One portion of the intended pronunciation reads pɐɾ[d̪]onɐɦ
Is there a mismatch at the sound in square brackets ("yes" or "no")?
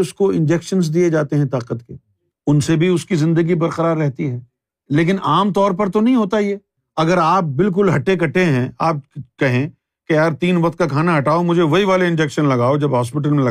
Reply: yes